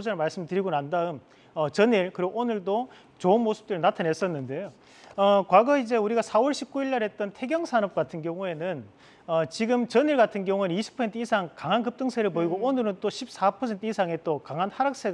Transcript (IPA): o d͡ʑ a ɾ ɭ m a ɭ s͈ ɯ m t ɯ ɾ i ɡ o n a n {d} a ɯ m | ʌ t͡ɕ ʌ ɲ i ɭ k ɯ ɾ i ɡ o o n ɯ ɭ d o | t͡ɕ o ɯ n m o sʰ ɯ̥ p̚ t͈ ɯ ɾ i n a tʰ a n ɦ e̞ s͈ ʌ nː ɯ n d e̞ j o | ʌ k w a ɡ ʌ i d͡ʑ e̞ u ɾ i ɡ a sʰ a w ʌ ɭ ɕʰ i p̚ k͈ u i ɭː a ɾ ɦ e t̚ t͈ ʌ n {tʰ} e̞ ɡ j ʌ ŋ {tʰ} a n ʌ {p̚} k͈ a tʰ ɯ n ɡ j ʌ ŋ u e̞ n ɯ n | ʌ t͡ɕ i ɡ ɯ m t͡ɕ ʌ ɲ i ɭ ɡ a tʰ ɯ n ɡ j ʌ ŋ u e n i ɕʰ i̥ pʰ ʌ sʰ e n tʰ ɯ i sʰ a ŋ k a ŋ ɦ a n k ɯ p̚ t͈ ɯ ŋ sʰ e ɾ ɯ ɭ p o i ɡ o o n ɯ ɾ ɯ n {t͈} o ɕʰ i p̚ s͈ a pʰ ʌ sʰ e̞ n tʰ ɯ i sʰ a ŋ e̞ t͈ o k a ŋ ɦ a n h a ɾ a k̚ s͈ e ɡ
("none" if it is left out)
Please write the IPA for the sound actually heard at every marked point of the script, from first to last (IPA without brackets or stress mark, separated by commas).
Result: d, tʰ, sʰ, p̚, t͈